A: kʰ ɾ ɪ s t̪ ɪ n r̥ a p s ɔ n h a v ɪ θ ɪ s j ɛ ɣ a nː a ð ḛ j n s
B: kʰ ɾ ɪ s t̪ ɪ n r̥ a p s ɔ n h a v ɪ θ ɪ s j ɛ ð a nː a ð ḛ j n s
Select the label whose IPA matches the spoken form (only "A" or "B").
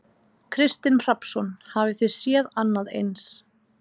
B